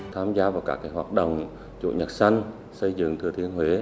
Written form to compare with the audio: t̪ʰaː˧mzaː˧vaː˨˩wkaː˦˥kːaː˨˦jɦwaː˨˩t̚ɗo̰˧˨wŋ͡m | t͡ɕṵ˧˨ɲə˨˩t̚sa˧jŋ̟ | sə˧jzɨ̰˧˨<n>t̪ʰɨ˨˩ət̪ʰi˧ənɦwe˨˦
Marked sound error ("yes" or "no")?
yes